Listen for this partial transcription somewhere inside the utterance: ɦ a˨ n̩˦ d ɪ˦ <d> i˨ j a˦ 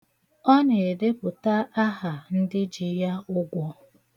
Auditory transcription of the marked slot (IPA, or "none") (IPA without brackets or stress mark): d͡ʒ